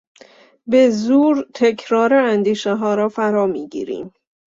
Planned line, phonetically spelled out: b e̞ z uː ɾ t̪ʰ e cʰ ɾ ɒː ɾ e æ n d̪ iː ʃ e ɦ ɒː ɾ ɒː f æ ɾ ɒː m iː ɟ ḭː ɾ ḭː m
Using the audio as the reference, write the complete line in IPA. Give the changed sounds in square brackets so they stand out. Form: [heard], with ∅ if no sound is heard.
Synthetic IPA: b e̞ z uː ɾ t̪ʰ e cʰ ɾ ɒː ɾ e æ n d̪ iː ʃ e ɦ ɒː ɾ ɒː f æ ɾ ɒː m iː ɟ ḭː ɾ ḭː m